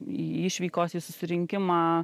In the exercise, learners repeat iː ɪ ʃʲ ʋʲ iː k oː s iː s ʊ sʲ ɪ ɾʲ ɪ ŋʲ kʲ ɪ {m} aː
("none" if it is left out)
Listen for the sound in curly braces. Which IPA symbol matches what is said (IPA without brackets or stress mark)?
m